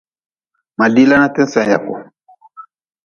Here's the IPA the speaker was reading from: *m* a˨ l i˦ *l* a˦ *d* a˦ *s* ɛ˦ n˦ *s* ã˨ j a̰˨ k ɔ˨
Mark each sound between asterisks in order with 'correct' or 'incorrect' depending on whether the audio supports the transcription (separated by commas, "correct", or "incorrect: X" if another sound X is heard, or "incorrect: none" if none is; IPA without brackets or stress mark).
correct, correct, incorrect: n, incorrect: t, correct